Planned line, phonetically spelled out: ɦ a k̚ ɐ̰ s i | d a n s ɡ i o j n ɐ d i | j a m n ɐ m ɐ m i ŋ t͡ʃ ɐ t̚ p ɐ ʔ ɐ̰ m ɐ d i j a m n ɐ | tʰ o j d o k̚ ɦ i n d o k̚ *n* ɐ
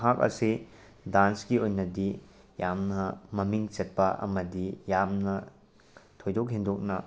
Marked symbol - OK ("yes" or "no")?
yes